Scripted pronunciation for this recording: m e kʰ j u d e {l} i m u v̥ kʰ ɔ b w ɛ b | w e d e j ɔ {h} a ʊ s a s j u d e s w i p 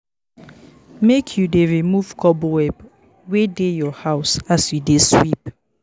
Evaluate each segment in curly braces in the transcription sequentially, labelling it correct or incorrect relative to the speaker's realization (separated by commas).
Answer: incorrect, correct